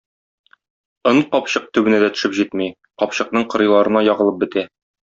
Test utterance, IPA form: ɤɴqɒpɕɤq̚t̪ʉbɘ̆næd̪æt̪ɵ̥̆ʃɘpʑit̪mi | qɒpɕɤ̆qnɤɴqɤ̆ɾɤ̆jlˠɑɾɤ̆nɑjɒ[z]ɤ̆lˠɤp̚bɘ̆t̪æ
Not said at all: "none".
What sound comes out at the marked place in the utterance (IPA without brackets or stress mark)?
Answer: ʁ